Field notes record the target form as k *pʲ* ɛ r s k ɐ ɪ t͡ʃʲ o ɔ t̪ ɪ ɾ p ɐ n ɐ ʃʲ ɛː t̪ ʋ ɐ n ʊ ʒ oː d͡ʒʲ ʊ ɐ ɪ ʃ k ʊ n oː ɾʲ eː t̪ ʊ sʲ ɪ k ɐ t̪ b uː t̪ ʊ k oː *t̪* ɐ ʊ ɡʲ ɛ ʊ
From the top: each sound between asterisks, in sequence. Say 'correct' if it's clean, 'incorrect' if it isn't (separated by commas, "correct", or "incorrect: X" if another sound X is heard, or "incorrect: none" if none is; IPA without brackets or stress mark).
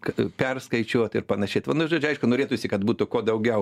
correct, incorrect: d̪